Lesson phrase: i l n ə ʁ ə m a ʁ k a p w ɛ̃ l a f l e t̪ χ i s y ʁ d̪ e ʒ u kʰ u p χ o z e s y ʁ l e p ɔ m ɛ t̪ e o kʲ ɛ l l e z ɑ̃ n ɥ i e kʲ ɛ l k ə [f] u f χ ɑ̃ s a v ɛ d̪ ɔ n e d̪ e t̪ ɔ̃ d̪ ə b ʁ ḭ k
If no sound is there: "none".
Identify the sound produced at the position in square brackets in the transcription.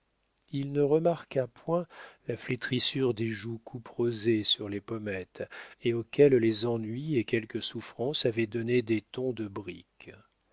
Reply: s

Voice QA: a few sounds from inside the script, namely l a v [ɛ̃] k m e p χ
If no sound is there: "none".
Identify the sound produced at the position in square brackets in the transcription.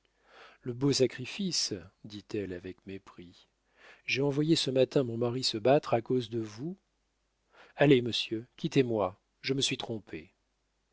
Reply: ɛ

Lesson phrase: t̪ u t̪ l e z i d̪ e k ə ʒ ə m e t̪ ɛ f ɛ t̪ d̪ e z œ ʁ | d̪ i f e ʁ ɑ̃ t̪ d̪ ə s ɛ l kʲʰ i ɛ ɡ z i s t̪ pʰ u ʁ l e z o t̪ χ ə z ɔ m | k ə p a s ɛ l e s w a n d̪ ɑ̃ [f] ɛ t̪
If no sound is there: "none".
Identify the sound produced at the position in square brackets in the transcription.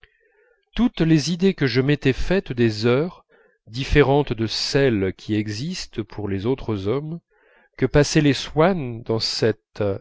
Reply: s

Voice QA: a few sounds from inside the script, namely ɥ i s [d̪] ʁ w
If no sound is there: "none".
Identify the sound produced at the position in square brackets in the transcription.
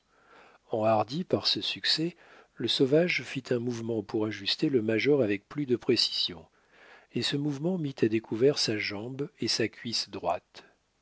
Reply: d̪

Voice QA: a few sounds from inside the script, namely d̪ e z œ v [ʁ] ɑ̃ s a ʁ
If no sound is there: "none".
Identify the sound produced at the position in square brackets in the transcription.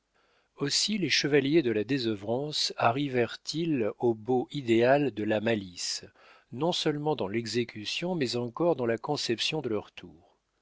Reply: ʁ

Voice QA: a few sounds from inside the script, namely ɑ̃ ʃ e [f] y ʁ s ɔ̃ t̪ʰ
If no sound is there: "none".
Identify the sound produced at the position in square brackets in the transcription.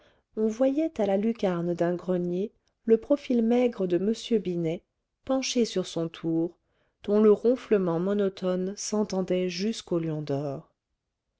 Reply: s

